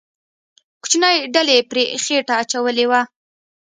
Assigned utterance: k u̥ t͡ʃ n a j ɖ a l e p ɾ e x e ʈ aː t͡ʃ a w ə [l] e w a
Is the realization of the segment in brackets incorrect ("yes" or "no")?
no